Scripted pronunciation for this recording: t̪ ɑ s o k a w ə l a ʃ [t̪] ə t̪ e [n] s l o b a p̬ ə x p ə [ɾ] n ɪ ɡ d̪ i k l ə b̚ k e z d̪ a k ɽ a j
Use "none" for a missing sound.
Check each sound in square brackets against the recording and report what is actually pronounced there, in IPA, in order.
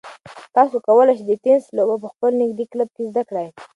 d̪, n, l

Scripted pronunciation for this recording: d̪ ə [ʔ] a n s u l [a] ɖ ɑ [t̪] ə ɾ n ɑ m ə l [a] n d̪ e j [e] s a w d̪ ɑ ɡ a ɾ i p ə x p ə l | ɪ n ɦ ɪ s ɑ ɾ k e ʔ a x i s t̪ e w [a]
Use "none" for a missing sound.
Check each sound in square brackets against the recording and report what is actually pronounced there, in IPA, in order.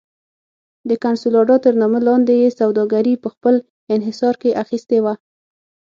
k, ɑ, t̪, ɑ, e, a

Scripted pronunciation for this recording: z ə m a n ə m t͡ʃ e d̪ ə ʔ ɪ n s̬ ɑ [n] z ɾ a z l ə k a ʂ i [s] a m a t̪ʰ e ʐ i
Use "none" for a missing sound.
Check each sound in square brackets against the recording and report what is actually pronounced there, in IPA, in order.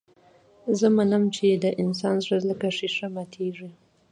n, ʂ

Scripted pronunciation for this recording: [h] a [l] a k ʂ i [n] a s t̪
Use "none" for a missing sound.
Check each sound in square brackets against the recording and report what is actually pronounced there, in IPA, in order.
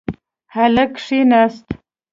h, l, n

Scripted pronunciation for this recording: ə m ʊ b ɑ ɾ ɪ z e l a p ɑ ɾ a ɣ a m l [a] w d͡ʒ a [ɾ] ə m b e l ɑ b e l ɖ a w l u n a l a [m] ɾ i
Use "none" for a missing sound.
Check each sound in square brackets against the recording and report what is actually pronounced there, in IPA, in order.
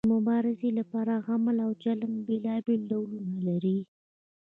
a, l, none

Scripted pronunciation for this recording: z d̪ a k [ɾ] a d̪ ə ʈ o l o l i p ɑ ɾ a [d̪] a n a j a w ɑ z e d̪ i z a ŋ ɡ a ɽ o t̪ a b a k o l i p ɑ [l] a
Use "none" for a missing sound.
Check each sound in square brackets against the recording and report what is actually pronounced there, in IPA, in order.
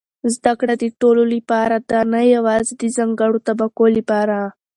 ɽ, d̪, ɾ

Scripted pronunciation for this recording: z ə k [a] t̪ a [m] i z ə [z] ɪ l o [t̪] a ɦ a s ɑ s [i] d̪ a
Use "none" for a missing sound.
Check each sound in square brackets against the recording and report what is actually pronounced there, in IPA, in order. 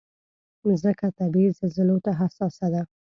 a, b, z, t̪, a

